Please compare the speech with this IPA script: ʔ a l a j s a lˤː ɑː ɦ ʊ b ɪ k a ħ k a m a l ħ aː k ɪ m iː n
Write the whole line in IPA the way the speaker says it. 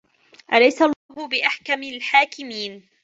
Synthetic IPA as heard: ʔ a l a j s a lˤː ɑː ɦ ʊ b ɪ ʔ a ħ k a m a l ħ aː k ɪ m iː n